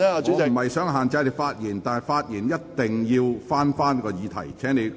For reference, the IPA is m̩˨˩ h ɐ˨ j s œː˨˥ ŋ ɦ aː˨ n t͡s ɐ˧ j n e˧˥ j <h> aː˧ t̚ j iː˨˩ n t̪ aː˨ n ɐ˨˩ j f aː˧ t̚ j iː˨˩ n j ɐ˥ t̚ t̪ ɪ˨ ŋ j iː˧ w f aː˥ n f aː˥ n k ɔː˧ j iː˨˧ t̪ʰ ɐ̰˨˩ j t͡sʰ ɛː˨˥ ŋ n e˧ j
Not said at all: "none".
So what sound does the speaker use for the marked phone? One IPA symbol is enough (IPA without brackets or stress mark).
f